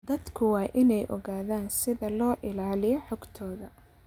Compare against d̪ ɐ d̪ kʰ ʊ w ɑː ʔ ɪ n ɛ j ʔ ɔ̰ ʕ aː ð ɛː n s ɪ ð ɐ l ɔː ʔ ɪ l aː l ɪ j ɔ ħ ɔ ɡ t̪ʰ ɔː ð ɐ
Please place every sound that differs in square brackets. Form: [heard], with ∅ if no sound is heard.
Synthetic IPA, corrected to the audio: d̪ ɐ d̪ kʰ ʊ w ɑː ʔ ɪ n ɛ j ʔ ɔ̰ [ɣ] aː ð [aː] n s ɪ ð ɐ l ɔː ʔ ɪ l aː l ɪ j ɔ ħ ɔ ɡ t̪ʰ ɔː ð ɐ